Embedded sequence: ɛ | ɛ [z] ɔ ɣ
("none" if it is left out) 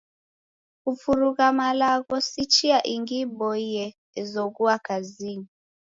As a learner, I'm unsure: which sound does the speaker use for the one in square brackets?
z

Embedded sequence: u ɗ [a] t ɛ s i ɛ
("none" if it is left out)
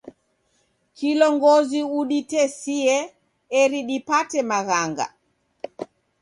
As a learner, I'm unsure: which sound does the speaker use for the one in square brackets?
i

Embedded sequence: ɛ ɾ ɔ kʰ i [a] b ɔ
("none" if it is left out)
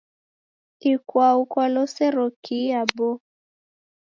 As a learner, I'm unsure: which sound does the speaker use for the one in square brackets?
a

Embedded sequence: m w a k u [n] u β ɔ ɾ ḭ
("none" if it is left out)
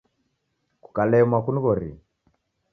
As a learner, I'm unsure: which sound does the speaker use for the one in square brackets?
n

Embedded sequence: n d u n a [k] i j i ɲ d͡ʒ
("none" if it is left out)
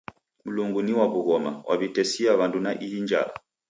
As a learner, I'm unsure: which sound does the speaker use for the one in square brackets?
ʔ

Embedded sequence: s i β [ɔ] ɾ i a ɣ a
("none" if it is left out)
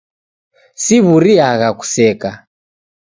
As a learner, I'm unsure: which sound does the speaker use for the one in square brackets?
u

